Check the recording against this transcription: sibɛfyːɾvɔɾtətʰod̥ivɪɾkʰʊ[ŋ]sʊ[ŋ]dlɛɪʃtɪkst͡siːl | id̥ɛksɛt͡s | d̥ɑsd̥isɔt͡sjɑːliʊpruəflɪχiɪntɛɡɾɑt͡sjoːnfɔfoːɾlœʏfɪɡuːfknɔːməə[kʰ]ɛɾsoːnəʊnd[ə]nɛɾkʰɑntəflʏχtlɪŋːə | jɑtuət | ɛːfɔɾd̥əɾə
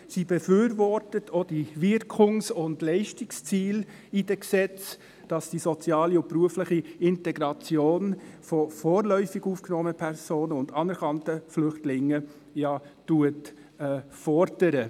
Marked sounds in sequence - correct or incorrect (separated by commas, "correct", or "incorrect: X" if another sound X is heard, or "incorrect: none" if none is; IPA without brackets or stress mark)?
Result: correct, incorrect: n, incorrect: pʰ, incorrect: ɑ